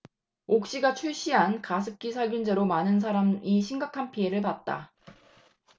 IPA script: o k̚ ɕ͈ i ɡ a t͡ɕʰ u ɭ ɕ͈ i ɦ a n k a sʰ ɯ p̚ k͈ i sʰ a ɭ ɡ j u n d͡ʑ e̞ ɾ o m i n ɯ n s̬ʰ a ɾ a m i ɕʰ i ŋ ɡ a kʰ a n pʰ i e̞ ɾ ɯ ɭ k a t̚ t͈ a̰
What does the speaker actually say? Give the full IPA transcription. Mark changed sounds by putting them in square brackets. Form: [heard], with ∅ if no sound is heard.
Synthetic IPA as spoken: o k̚ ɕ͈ i ɡ a t͡ɕʰ u ɭ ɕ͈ i ɦ a n k a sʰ ɯ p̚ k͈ i sʰ a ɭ ɡ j u n d͡ʑ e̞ ɾ o m [a] n ɯ n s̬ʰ a ɾ a m i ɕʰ i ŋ ɡ a kʰ a n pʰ i e̞ ɾ ɯ ɭ [p] a t̚ t͈ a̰